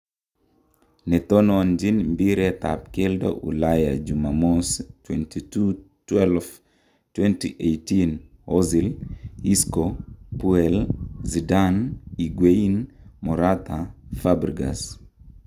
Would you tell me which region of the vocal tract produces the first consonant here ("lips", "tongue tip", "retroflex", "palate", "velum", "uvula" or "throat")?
tongue tip